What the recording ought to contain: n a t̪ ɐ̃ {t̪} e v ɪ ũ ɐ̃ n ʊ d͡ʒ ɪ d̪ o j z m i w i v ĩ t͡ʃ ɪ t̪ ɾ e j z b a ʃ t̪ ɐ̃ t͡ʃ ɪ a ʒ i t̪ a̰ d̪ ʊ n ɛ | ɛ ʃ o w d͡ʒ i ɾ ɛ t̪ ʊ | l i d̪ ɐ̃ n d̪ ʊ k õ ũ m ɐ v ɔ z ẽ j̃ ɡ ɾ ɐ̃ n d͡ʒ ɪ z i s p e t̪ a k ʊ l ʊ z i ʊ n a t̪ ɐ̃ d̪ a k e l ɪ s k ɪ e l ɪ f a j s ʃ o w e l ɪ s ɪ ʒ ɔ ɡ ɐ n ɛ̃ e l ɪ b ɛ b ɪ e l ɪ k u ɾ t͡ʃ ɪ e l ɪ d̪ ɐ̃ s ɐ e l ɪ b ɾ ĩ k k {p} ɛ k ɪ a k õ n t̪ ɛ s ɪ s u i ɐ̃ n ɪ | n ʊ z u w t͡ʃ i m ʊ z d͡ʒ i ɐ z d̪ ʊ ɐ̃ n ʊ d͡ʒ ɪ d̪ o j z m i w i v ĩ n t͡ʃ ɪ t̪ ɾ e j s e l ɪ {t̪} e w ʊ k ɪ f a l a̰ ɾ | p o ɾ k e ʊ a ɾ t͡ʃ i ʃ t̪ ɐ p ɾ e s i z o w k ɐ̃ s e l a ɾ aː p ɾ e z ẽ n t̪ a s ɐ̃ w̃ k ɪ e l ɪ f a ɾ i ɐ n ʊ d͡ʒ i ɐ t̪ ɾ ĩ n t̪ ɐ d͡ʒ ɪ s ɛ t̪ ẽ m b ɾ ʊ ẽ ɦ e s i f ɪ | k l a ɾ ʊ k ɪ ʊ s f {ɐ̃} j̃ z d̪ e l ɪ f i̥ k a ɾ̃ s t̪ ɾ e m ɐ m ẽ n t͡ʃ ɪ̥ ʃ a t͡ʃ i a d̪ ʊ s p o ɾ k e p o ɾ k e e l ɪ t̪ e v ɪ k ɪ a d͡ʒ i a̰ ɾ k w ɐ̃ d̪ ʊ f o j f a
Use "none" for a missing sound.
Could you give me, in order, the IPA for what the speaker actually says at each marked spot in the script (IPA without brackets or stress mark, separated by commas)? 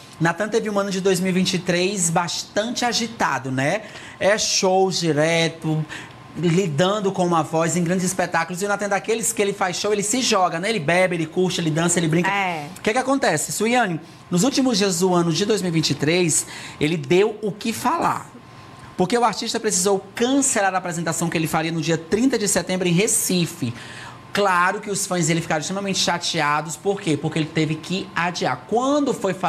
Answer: t̪, k, d̪, ɐ̃